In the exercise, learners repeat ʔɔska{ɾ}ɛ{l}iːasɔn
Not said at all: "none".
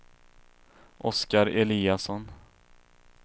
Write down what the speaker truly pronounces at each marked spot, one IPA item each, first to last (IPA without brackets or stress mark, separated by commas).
ɾ, l